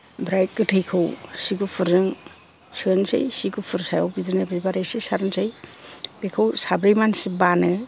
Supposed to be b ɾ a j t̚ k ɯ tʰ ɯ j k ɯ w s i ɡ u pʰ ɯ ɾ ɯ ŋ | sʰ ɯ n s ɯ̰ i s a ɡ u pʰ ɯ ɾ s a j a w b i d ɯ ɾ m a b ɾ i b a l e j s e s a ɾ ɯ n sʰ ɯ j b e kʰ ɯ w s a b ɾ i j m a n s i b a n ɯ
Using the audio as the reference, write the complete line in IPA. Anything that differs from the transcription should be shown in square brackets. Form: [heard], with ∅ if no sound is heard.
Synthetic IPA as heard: b ɾ a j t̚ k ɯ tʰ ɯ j [kʰ] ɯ w s i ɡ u pʰ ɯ ɾ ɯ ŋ | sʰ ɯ n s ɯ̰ [j] s [i] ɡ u pʰ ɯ ɾ s a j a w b i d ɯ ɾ [n] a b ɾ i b a [ɾ] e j s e s a ɾ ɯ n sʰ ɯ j b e kʰ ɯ w s a b ɾ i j m a n s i b a n ɯ